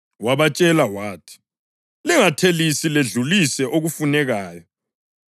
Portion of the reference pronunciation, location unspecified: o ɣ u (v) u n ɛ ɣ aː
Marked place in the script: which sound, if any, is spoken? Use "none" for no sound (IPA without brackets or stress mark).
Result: f